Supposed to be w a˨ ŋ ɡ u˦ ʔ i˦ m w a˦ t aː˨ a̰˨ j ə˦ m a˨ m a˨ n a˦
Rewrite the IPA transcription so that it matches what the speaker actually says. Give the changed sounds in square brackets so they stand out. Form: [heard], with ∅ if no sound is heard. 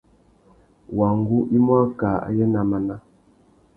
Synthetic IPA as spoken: w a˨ ŋ ɡ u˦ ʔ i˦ m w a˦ [k] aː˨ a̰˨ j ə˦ [n] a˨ m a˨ n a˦